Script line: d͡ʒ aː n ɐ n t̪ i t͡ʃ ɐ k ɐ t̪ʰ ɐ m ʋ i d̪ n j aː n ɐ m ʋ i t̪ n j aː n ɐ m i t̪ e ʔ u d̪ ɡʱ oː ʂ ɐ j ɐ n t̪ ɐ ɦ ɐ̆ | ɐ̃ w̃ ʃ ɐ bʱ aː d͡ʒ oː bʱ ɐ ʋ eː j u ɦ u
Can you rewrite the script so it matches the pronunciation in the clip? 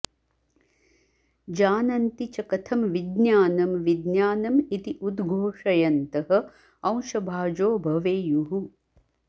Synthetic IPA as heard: d͡ʒ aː n ɐ n t̪ i t͡ʃ ɐ k ɐ t̪ʰ ɐ m ʋ i d̪ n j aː n ɐ m ʋ i d̪ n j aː n ɐ m i t̪ i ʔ u d̪ ɡʱ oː ʂ ɐ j ɐ n t̪ ɐ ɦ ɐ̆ | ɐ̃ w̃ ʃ ɐ bʱ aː d͡ʒ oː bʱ ɐ ʋ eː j u ɦ u